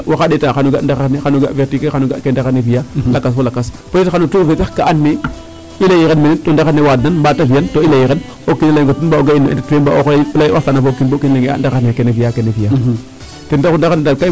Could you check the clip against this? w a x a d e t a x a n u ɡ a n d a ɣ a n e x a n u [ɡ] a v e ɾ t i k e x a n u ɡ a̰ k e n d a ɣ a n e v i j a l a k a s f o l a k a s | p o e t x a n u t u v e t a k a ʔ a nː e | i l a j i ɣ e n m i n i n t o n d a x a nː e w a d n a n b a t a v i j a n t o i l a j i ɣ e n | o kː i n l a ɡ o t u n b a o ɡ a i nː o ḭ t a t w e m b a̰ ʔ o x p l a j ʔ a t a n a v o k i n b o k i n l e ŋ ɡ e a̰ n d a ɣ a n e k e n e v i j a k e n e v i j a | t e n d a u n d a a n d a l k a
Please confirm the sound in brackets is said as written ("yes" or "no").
yes